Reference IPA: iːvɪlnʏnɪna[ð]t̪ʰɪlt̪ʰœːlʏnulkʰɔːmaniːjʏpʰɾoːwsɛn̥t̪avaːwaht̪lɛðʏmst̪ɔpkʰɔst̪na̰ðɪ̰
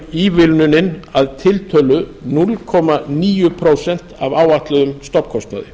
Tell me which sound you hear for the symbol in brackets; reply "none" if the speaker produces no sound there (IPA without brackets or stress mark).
ð